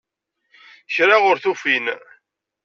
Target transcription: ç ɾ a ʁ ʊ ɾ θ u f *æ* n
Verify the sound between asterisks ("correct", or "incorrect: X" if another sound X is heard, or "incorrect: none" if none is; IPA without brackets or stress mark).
incorrect: i